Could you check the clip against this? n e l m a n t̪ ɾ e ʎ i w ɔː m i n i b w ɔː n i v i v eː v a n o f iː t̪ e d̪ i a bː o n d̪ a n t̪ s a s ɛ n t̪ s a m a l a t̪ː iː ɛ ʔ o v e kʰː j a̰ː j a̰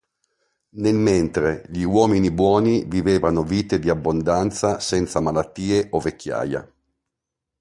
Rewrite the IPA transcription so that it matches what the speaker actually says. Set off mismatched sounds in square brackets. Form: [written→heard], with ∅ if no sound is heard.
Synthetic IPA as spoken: n e l m [a→e] n t̪ ɾ e ʎ i w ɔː m i n i b w ɔː n i v i v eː v a n o [f→v] iː t̪ e d̪ i a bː o n d̪ a n t̪ s a s ɛ n t̪ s a m a l a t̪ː iː [ɛ→e] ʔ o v e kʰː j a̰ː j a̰

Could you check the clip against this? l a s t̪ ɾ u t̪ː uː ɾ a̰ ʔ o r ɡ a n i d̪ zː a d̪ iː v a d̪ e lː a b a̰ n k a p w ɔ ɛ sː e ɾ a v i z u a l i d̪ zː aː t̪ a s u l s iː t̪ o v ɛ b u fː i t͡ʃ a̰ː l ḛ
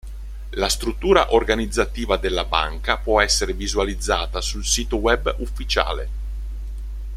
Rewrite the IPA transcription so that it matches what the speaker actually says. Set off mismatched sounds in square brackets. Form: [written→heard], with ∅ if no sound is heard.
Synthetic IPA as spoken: l a s t̪ ɾ u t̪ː uː ɾ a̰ ʔ o r ɡ a n i d̪ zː a [d̪→t̪] iː v a d̪ e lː a b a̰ [n→ŋ] k a p w ɔ ɛ sː e ɾ [a→e] v i z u a l i d̪ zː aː t̪ a s u l s iː t̪ o [v→w] ɛ b u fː i t͡ʃ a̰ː l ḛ

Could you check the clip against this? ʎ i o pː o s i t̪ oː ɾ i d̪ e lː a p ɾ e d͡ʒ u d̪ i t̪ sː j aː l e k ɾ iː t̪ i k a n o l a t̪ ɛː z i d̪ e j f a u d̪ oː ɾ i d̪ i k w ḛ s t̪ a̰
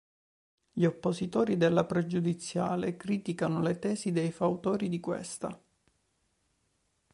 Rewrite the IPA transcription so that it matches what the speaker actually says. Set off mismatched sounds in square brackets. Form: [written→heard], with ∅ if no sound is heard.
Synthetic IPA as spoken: ʎ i o pː o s i t̪ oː ɾ i d̪ e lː a p ɾ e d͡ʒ u d̪ i t̪ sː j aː l e k ɾ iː t̪ i k a n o l [a→e] t̪ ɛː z i d̪ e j f a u [d̪→t̪] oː ɾ i d̪ i k w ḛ s t̪ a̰

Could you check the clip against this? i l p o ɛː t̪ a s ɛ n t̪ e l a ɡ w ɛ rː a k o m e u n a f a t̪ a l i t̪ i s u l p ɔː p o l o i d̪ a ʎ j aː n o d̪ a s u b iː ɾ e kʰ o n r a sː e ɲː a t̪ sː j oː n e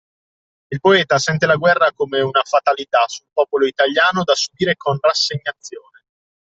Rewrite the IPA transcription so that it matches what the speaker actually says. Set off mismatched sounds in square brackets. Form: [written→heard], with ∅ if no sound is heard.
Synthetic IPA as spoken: i l p o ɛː t̪ a s ɛ n t̪ e l a ɡ w ɛ rː a k o m e u n a f a t̪ a l i t̪ [i→a] s u l p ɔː p o l o i [d̪→t̪] a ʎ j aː n o d̪ a s u b iː ɾ e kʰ o n r a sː e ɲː a t̪ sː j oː n e

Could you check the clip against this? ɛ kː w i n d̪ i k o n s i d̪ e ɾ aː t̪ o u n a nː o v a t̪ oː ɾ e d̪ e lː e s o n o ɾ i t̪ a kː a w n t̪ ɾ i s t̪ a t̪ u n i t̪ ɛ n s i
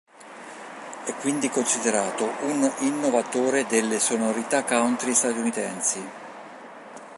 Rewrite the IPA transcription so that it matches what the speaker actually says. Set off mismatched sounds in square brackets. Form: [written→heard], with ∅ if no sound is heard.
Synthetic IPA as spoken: ɛ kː w i n d̪ i k o n s i d̪ e ɾ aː t̪ o u n [a→i] nː o v a t̪ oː ɾ e d̪ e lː e s o n o ɾ i t̪ a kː a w n t̪ ɾ i s t̪ a t̪ u n i t̪ ɛ n s i

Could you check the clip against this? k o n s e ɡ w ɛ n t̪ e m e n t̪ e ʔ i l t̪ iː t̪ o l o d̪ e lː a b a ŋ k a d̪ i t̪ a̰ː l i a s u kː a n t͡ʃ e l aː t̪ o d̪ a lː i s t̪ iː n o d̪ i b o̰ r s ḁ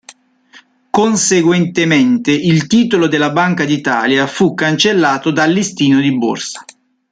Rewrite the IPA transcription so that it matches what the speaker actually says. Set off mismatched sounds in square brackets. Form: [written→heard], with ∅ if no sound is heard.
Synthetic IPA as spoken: k o n s e ɡ w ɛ n t̪ e m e n t̪ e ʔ i l t̪ iː t̪ o l o d̪ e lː a b a ŋ k a d̪ i t̪ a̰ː l [i→j] a [s→f] u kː a n t͡ʃ e [l→lː] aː t̪ o d̪ a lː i s t̪ iː n o d̪ i b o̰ r s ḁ

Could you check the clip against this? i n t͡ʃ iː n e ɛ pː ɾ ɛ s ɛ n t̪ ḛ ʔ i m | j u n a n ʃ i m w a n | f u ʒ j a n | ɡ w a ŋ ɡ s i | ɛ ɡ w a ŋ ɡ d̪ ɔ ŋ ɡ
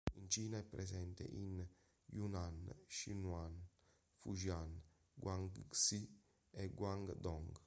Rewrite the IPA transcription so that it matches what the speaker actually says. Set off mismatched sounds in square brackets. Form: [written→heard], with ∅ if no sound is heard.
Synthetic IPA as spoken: i n t͡ʃ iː n [e→a] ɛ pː ɾ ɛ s ɛ n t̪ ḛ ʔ i [m→n] | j u n a n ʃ i [m→n] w a n | f u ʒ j a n | ɡ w a ŋ ɡ s i | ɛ ɡ w a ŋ ɡ d̪ ɔ ŋ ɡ

